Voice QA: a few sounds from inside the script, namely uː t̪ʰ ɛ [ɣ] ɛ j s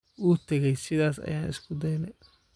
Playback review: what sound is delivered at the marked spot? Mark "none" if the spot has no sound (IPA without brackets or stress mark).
ɣ